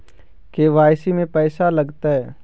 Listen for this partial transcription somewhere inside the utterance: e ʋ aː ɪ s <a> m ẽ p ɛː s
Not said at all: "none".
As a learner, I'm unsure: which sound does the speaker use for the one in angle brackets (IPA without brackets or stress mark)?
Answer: i